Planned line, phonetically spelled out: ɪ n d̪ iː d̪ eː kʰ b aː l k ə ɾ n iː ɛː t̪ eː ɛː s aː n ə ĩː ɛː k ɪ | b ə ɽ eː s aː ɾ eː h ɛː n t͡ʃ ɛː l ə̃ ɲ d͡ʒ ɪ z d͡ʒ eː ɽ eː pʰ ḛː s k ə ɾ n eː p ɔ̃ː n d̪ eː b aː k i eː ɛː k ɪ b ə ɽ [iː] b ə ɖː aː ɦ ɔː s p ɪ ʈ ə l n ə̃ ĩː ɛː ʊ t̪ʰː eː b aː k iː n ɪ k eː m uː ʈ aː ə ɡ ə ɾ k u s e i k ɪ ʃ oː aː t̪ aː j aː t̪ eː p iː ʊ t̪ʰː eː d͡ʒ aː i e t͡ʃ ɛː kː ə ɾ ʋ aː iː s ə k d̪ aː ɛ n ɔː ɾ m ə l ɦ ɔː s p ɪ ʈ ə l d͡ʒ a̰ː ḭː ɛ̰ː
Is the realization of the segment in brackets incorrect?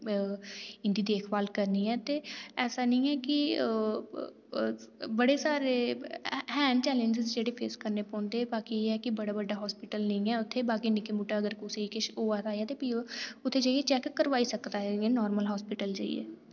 yes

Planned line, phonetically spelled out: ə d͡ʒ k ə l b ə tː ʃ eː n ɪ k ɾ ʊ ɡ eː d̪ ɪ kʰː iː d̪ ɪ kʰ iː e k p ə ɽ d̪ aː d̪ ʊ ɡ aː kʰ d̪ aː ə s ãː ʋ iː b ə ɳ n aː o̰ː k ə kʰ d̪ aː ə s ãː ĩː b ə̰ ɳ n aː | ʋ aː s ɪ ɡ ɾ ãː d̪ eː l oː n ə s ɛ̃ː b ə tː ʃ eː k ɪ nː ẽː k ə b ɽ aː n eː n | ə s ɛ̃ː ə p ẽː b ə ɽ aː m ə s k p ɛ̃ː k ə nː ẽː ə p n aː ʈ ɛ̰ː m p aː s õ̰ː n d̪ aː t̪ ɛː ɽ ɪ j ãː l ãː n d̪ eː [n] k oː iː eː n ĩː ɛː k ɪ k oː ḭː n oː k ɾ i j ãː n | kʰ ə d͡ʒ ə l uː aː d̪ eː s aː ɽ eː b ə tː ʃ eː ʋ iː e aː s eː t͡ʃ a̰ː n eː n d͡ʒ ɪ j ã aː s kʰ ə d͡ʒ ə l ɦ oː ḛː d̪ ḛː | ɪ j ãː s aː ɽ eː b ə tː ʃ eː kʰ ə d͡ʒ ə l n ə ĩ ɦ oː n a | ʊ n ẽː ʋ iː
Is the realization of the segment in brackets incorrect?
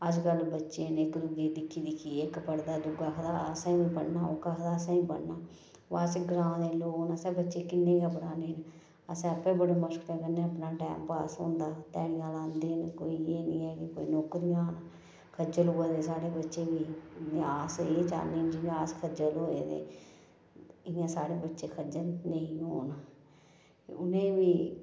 no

